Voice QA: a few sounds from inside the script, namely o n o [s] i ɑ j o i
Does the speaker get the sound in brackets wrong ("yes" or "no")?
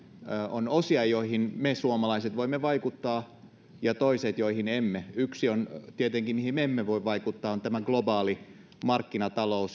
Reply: no